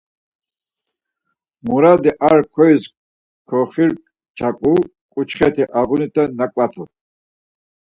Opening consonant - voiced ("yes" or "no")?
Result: yes